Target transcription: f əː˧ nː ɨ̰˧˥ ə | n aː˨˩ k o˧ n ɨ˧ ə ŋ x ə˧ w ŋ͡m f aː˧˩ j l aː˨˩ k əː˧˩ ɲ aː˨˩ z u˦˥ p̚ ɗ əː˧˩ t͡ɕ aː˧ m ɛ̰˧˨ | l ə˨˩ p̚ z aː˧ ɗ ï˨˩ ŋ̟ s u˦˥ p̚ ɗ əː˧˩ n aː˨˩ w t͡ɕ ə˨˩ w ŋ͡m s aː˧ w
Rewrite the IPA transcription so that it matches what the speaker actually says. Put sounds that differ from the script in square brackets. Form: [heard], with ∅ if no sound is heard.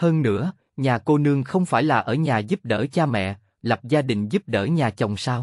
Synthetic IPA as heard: [h] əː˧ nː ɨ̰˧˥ ə | [ɲ] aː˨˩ k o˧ n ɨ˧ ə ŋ x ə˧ w ŋ͡m f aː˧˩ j l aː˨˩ [ʔ] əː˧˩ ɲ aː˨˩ z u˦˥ p̚ ɗ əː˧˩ t͡ɕ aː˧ m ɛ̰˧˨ | l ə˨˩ p̚ z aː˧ ɗ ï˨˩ ŋ̟ [z] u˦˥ p̚ ɗ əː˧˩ [ɲ] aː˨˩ [∅] t͡ɕ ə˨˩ w ŋ͡m s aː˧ w